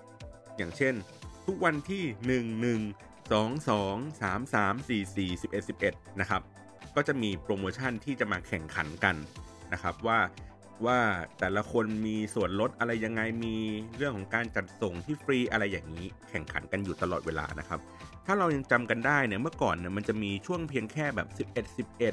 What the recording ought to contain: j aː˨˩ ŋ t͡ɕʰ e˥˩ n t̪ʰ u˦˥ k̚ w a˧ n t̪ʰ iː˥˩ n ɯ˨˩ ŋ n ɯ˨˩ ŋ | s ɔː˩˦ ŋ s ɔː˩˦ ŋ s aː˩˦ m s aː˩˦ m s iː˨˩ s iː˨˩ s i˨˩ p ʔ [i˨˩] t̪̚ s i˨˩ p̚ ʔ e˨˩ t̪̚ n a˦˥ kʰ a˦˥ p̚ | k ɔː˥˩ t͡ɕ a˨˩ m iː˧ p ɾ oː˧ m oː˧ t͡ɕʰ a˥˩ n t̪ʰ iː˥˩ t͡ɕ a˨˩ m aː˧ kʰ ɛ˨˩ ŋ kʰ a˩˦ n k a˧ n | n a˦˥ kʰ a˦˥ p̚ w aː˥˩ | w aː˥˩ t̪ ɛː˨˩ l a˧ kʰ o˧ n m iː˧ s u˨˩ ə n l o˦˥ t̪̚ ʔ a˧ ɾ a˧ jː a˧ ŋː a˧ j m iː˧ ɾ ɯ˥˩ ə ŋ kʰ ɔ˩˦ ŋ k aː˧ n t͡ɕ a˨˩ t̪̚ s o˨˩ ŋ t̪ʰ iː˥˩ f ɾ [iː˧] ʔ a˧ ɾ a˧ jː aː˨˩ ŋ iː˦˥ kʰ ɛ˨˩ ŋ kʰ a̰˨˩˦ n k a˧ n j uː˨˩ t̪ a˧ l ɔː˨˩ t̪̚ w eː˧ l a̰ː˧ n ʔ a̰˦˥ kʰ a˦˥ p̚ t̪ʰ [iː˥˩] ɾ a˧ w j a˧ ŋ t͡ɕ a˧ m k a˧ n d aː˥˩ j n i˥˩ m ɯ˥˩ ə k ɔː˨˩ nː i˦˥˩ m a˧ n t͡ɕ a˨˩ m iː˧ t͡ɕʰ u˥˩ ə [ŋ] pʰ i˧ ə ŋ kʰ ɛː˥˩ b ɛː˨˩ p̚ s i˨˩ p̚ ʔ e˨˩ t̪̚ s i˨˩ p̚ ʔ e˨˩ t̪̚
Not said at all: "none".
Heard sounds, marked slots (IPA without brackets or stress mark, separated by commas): e˨˩, iː˧, aː˥˩, ŋ